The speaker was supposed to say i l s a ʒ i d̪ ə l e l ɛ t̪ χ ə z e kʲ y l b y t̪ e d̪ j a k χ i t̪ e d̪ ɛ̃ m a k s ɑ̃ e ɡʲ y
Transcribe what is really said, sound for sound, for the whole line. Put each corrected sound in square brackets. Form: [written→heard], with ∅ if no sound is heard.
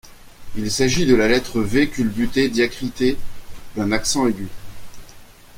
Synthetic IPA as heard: i l s a ʒ i d̪ ə l [e→a] l ɛ t̪ χ ə [z→v] e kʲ y l b y t̪ e d̪ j a k χ i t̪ e d̪ ɛ̃ [m→n] a k s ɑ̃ e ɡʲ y